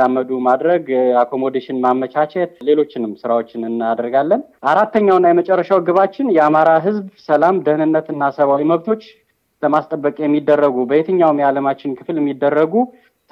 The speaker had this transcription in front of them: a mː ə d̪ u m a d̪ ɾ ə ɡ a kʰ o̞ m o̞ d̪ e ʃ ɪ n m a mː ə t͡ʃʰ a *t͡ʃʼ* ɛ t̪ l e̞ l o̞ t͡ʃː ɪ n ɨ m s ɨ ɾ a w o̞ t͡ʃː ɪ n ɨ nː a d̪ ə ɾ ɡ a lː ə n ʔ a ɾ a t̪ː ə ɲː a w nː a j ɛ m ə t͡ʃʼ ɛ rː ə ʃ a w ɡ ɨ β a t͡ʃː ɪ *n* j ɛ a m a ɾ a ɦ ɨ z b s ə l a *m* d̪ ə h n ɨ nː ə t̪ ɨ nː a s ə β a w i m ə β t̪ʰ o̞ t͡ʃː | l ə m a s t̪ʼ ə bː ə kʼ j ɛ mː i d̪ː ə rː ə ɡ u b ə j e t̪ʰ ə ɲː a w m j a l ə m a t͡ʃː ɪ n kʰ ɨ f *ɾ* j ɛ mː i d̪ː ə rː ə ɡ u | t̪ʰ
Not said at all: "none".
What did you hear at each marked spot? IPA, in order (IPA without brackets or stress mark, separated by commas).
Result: t͡ʃ, n, m, l